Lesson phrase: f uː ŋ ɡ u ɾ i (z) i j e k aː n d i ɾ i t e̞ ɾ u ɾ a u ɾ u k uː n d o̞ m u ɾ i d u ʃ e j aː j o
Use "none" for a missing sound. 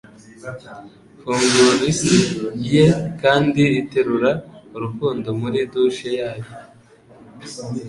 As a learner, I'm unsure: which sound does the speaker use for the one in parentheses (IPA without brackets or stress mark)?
s